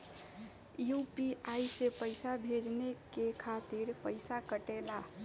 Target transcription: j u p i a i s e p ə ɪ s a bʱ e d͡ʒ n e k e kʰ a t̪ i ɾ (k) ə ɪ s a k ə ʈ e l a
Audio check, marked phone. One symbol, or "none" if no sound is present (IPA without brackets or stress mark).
p